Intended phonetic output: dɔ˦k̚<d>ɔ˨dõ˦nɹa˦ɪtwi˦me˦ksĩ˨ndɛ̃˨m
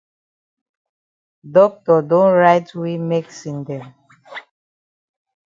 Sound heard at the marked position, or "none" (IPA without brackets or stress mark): t